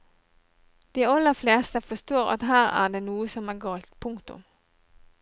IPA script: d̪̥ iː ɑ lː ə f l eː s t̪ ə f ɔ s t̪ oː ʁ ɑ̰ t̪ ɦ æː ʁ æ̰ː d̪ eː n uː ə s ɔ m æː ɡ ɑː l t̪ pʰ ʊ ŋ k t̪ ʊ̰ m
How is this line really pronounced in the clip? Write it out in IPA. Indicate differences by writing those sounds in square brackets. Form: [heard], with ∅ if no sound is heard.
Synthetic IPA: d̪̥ iː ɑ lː ə f l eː s t̪ ə f ɔ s t̪ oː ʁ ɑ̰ t̪ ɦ æː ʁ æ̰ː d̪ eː n uː ə s ɔ m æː ɡ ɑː l t̪ pʰ ʊ ŋ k t̪ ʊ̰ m

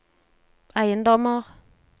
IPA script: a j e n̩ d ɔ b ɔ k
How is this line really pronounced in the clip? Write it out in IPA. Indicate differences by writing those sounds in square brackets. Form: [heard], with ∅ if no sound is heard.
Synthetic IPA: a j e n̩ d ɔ [m] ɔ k

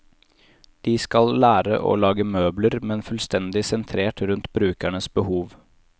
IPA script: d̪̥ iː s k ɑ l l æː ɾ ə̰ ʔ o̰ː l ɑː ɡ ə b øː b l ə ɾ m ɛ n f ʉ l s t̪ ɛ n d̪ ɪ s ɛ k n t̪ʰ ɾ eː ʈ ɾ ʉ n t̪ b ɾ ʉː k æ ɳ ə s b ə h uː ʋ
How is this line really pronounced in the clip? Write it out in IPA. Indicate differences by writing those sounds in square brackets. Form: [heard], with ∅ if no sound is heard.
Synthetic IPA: d̪̥ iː s k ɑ l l æː ɾ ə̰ ʔ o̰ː l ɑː ɡ ə [m] øː b l ə ɾ m ɛ n f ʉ l s t̪ ɛ n d̪ ɪ s ɛ [∅] n t̪ʰ ɾ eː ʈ ɾ ʉ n t̪ b ɾ ʉː k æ ɳ ə s b ə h uː ʋ

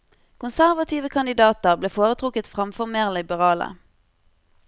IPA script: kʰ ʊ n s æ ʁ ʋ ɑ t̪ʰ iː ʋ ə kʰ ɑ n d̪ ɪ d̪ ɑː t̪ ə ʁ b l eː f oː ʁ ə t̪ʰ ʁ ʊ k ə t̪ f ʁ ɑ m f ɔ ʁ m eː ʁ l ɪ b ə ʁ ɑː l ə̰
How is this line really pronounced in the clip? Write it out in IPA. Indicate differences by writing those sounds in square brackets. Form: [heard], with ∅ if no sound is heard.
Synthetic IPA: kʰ ʊ n s æ ʁ ʋ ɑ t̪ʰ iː ʋ ə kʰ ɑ n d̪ ɪ d̪ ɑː t̪ ə ʁ b l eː f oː ʁ ə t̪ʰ ʁ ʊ k ə t̪ f ʁ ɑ m f ɔ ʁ m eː ʁ l ɪ b ə ʁ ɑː l ə̰

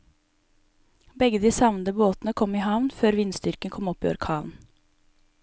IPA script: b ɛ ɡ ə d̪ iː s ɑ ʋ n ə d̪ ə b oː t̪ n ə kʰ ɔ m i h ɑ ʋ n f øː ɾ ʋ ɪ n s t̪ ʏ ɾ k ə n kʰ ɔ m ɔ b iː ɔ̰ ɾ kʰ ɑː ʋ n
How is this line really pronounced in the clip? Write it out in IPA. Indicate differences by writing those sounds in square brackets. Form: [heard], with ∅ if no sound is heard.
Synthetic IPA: b ɛ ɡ ə d̪ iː s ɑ ʋ n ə d̪ ə b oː t̪ n ə kʰ ɔ m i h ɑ ʋ n f øː ɾ ʋ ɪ n s t̪ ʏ ɾ k ə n kʰ ɔ m ɔ [p] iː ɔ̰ ɾ kʰ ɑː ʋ n

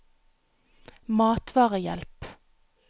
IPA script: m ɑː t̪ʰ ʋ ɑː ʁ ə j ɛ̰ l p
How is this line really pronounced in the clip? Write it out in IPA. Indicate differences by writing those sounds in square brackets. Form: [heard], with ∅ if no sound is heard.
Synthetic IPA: m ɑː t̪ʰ ʋ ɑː ʁ ə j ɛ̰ l p

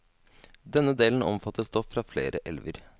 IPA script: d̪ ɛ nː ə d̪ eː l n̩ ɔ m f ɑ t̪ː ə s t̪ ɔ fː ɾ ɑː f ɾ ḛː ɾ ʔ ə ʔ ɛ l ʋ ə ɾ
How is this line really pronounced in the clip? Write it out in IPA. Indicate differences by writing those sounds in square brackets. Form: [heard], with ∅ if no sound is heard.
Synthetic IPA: d̪ ɛ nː ə d̪ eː l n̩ ɔ m f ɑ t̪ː ə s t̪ ɔ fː ɾ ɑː f [l] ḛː ɾ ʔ ə ʔ ɛ l ʋ ə ɾ

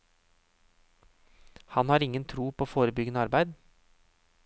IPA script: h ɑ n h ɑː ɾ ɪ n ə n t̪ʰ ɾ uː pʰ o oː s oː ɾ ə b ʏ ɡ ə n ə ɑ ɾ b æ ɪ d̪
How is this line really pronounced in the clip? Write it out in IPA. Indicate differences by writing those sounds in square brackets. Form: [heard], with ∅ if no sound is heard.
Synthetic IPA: h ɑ n h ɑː ɾ ɪ [ŋ] ə n t̪ʰ ɾ uː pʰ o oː [f] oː ɾ ə b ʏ ɡ ə n ə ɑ ɾ b æ ɪ d̪

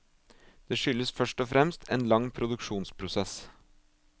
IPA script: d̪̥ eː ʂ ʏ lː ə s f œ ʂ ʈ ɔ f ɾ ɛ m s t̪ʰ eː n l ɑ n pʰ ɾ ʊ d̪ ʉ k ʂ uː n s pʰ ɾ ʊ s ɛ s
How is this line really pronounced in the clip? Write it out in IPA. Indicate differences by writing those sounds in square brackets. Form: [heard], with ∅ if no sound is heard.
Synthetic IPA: d̪̥ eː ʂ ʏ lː ə s f œ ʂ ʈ ɔ f ɾ ɛ m s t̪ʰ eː n l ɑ [ŋ] pʰ ɾ ʊ d̪ ʉ k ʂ uː n s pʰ ɾ ʊ s ɛ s

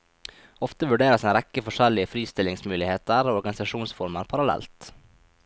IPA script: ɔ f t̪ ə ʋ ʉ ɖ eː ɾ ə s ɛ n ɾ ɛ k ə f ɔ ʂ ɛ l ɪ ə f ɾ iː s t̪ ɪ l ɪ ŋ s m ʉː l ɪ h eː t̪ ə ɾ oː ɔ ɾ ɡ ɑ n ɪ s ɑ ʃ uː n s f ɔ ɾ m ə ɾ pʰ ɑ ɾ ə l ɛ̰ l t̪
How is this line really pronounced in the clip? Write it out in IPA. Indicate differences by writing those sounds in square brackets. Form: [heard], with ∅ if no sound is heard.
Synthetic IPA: ɔ f t̪ ə ʋ ʉ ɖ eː ɾ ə s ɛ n ɾ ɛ k ə f ɔ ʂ ɛ l ɪ ə f ɾ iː s t̪ ɪ l ɪ ŋ s m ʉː l ɪ h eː t̪ ə ɾ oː ɔ ɾ ɡ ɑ n ɪ s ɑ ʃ uː n s f ɔ ɾ m ə ɾ pʰ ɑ ɾ [ɑ] l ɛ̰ l t̪

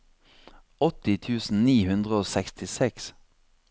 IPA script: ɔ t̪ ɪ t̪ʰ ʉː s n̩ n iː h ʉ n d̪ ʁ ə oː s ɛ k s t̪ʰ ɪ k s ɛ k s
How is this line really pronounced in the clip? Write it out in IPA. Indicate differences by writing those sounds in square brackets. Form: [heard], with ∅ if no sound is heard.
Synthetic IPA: ɔ t̪ ɪ t̪ʰ ʉː s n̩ n iː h ʉ n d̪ ʁ ə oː s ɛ k s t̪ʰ ɪ [∅] s ɛ k s

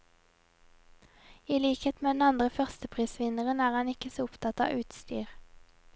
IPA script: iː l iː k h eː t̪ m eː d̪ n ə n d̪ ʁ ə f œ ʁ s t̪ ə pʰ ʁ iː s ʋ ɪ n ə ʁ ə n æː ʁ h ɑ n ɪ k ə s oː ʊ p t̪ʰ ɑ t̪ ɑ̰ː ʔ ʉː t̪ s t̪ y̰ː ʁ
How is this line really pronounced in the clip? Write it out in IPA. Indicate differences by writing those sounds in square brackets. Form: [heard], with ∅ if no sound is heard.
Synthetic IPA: iː l iː k h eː t̪ m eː d̪ n [ɑ] n d̪ ʁ ə f œ ʁ s t̪ ə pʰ ʁ iː s ʋ ɪ n ə ʁ ə n æː ʁ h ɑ n ɪ k ə s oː ʊ p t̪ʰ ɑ t̪ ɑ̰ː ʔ ʉː t̪ s t̪ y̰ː ʁ

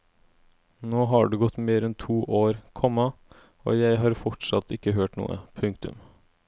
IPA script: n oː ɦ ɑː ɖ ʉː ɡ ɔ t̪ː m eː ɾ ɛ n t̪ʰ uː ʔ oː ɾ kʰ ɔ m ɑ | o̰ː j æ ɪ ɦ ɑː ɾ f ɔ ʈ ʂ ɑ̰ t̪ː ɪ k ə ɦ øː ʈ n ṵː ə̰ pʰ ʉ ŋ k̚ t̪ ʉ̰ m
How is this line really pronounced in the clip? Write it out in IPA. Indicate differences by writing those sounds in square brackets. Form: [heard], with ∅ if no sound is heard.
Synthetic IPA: n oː ɦ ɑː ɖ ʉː ɡ ɔ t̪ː m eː ɾ ɛ n t̪ʰ uː ʔ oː ɾ kʰ ɔ m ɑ | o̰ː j æ ɪ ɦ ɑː ɾ f ɔ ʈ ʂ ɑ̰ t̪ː ɪ k ə ɦ øː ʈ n ṵː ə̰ pʰ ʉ ŋ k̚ t̪ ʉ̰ m

